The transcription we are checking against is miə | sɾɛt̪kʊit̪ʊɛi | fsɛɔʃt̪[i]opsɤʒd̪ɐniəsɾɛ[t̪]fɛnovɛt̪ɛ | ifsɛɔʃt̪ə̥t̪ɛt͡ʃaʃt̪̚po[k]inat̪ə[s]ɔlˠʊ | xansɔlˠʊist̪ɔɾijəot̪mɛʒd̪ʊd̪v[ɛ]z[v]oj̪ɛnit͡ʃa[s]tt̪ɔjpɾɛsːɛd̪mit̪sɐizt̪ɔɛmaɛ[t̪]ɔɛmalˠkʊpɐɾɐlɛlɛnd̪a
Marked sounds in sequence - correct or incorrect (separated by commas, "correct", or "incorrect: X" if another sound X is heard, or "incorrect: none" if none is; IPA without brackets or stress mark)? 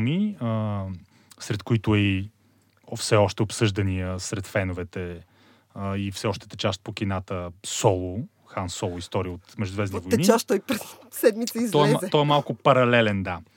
incorrect: ɛ, correct, correct, correct, correct, correct, incorrect: ʃ, correct